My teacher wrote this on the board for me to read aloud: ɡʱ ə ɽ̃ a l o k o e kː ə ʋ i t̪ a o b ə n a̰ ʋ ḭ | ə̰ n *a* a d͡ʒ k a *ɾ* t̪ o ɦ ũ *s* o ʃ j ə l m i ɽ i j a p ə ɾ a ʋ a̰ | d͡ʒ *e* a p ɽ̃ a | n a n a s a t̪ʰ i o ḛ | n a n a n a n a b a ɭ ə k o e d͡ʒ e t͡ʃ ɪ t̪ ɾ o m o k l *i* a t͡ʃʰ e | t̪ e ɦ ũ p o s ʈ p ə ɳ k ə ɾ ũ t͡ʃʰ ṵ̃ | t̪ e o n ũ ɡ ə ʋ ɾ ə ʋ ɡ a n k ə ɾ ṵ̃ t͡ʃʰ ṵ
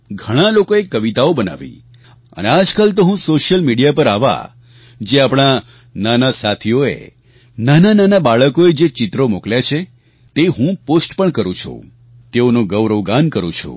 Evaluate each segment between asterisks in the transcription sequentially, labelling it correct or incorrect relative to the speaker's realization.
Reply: incorrect, incorrect, correct, correct, incorrect

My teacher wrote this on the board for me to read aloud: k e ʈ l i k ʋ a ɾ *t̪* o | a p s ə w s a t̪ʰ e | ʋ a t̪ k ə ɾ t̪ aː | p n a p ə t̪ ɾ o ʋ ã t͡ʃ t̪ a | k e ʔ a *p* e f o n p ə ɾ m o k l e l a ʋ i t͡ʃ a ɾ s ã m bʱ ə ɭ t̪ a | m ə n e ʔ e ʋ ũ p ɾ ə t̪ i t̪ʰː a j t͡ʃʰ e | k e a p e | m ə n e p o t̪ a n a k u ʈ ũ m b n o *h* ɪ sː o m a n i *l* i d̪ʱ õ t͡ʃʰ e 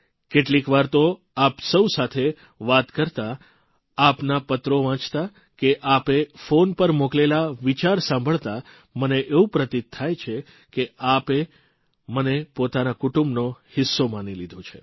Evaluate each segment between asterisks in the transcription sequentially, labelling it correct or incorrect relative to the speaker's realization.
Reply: correct, correct, correct, correct

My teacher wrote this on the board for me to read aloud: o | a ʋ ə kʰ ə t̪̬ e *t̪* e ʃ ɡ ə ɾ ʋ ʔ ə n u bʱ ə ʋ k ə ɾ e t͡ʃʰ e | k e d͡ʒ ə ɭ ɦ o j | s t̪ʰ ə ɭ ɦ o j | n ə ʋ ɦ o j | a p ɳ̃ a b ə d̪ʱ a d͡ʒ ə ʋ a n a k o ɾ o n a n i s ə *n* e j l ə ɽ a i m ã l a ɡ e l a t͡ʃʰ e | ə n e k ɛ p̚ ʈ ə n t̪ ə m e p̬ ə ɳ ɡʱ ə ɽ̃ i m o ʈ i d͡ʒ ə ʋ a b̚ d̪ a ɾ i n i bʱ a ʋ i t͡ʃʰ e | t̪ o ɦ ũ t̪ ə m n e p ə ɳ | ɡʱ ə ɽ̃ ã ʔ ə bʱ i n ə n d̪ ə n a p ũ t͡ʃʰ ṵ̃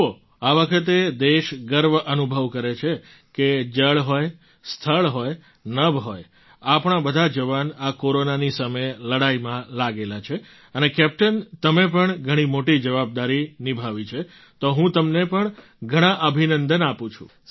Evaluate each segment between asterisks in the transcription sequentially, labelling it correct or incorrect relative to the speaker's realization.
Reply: incorrect, incorrect

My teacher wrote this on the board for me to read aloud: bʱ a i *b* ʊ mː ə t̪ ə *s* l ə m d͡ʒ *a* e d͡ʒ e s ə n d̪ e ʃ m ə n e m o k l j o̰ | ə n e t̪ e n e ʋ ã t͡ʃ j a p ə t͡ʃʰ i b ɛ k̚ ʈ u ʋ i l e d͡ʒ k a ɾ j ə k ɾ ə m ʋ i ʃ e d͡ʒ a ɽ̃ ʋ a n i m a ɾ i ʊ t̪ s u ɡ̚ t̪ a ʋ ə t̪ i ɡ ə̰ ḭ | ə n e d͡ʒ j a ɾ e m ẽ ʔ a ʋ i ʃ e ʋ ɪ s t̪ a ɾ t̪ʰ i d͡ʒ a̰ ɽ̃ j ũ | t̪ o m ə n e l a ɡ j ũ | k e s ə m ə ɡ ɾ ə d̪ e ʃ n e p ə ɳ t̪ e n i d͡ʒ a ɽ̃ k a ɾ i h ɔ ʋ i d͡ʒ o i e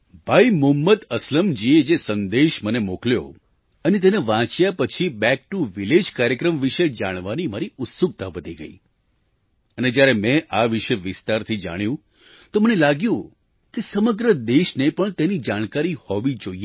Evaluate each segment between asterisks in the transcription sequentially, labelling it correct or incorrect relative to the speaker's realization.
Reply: incorrect, correct, incorrect

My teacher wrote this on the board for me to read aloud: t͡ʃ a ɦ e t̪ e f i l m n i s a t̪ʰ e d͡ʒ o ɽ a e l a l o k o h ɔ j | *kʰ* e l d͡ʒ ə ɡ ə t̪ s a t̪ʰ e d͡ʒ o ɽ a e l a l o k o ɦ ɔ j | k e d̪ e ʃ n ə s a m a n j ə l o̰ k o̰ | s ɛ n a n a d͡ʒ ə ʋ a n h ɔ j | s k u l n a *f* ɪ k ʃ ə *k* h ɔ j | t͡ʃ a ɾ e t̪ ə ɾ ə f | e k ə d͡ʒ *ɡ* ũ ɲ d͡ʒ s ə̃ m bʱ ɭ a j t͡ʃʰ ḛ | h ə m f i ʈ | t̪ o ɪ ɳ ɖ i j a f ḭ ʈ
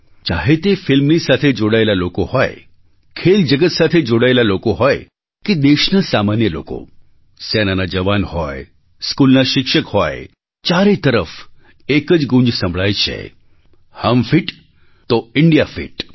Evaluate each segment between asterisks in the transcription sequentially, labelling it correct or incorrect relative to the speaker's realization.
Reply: correct, incorrect, correct, correct

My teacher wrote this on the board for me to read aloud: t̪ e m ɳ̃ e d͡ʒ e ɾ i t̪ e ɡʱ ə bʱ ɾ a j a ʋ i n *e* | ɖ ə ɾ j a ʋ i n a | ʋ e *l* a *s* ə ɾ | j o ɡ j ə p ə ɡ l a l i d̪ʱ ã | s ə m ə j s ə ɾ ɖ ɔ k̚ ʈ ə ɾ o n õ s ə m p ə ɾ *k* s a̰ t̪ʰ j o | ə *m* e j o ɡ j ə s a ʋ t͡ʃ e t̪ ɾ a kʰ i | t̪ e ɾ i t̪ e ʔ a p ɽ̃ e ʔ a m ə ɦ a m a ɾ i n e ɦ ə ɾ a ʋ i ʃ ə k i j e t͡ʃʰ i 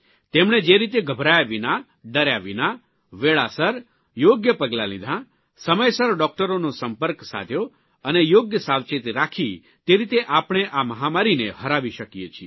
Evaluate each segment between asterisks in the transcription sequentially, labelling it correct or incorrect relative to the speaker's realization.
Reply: incorrect, incorrect, correct, correct, incorrect

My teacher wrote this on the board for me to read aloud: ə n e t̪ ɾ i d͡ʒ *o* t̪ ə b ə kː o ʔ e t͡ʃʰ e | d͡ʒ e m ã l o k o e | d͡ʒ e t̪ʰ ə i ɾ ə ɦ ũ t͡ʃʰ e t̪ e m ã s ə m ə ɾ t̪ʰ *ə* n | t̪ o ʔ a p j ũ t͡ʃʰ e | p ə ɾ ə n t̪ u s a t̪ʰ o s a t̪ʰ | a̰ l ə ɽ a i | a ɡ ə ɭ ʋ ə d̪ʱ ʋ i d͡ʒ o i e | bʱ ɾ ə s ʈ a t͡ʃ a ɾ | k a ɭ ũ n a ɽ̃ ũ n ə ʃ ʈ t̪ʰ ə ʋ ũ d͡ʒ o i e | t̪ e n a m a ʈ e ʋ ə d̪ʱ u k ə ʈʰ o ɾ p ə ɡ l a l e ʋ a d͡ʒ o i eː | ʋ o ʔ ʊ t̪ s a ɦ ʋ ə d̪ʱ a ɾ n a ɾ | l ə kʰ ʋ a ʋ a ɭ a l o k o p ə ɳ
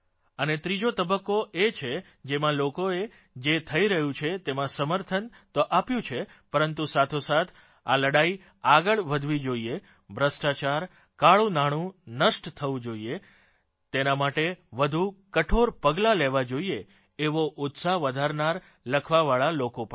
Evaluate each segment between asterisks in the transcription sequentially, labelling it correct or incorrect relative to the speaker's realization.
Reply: correct, correct

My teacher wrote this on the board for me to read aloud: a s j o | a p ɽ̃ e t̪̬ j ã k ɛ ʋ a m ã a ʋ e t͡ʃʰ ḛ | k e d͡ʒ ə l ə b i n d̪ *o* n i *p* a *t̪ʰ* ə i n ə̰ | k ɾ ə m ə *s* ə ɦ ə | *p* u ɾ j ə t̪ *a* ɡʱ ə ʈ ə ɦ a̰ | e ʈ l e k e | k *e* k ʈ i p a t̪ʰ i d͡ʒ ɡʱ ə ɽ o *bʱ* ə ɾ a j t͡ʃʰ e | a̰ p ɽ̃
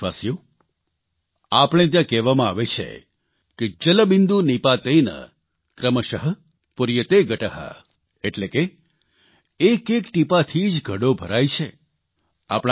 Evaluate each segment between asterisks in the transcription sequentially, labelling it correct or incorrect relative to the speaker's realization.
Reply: incorrect, correct, incorrect, incorrect, correct, incorrect, correct, correct

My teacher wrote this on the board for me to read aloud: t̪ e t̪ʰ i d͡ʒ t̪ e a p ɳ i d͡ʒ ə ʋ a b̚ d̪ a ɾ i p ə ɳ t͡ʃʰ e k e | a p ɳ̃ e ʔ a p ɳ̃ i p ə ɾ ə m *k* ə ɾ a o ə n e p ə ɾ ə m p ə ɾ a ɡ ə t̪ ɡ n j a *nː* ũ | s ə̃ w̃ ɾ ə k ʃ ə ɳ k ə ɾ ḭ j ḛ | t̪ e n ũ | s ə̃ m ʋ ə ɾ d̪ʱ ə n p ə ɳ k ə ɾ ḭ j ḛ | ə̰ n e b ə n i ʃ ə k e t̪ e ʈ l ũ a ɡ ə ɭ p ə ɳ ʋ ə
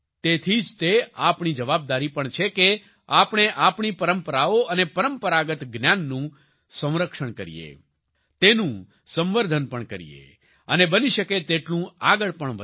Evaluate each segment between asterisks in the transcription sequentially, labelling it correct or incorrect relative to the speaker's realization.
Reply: incorrect, correct

